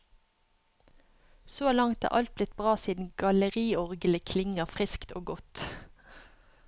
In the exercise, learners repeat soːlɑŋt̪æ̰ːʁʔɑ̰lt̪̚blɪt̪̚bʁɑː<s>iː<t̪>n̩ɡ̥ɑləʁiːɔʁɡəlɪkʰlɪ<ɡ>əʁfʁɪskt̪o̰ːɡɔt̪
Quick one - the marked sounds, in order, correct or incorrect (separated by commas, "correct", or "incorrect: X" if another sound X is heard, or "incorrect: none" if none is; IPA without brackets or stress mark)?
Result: correct, incorrect: d̪, incorrect: ŋ